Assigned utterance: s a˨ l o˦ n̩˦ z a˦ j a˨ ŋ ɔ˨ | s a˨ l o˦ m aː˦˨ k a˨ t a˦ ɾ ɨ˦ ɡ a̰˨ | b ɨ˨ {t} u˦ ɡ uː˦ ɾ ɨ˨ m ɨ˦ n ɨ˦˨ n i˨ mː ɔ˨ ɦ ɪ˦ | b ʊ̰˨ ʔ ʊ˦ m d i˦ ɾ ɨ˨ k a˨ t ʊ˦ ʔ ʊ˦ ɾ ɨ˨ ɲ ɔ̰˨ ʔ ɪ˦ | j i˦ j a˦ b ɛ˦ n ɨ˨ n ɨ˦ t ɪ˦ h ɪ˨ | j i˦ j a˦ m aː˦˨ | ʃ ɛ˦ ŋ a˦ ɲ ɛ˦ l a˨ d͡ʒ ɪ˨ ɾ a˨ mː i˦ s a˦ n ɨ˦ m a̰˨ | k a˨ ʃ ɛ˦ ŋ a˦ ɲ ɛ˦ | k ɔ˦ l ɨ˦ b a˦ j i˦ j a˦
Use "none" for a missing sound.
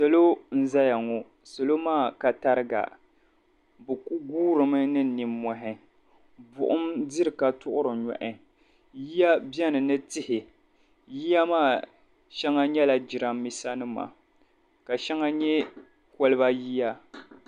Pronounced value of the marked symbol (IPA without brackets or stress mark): k